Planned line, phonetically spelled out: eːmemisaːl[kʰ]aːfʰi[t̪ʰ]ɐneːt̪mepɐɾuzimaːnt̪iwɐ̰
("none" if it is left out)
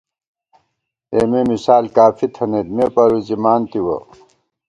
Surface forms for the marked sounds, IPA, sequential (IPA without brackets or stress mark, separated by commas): k, t̪ʰ